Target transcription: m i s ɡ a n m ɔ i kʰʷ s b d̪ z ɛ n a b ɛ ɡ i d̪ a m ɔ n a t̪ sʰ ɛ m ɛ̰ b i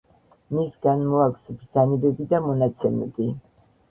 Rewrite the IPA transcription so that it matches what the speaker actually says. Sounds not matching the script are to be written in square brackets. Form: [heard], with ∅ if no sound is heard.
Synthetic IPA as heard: m i s ɡ a n m ɔ [a] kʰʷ s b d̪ z [a] n [i] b ɛ [b] i d̪ a m ɔ n a t̪ sʰ ɛ m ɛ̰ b i